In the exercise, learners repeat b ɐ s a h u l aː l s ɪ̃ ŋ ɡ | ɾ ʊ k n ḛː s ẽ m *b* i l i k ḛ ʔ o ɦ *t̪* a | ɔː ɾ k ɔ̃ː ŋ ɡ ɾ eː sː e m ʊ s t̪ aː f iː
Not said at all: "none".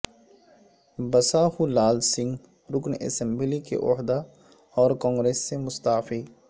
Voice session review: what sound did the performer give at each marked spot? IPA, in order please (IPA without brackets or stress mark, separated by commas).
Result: b, d̪